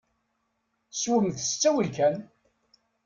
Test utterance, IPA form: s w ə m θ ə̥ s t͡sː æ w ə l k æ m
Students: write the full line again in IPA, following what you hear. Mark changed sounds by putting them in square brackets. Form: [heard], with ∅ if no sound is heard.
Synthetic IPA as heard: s w ə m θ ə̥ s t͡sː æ w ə l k æ [n]